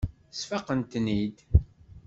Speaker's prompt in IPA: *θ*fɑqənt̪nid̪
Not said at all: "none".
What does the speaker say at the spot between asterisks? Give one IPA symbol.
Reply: s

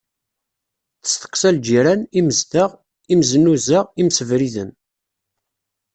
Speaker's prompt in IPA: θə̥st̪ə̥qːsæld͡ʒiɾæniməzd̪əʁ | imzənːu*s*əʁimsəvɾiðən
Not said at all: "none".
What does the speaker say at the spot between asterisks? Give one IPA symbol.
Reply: z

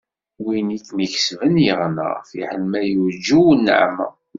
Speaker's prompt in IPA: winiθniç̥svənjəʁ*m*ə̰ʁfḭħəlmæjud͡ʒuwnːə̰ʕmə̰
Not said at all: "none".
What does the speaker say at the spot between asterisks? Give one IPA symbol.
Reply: n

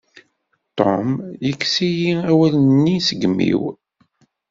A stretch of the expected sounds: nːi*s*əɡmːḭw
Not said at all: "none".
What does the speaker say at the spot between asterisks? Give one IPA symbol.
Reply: s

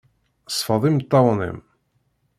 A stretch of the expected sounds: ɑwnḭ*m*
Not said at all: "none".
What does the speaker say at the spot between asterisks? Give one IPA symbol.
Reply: m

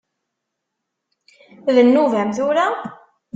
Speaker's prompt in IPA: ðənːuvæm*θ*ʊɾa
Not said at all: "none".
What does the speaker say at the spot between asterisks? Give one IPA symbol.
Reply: θ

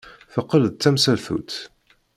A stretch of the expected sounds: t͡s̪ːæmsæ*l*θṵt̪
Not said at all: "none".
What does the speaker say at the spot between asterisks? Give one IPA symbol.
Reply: l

